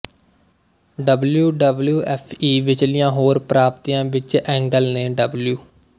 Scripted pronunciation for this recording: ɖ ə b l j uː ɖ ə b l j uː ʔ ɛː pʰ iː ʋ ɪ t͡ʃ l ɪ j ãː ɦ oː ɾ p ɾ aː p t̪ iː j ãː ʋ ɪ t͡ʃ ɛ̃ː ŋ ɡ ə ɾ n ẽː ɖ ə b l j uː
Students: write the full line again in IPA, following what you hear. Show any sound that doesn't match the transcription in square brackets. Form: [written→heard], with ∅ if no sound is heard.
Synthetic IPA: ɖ ə b l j uː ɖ ə b l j uː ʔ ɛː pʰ iː ʋ ɪ t͡ʃ l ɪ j ãː ɦ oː ɾ p ɾ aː p t̪ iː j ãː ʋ ɪ t͡ʃ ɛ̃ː ŋ ɡ ə [ɾ→l] n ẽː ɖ ə b l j uː